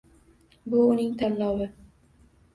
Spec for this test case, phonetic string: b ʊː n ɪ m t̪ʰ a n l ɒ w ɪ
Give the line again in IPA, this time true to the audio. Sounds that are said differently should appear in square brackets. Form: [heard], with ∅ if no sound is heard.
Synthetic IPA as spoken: b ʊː n ɪ [ŋ] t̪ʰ a n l ɒ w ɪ